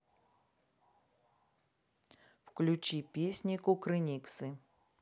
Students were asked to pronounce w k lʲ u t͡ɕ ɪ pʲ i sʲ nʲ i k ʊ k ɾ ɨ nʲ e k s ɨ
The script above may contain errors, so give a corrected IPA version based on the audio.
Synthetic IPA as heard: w k lʲ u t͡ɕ i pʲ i sʲ nʲ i k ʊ k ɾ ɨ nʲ i k s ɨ